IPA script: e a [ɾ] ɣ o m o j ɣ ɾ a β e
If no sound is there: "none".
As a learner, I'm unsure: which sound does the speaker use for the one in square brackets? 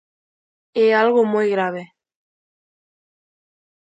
l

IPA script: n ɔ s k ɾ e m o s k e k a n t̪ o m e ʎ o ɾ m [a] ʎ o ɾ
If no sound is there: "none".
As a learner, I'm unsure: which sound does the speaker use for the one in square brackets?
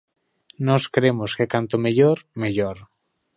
e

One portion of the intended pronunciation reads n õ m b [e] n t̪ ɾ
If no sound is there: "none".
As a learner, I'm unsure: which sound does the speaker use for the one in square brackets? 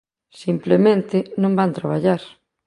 a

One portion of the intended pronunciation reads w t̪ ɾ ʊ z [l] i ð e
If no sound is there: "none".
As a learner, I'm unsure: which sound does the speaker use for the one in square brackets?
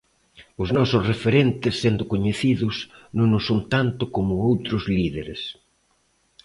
l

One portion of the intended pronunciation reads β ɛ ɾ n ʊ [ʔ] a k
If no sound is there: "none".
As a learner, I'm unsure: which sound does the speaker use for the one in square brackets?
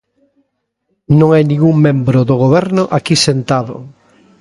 ʔ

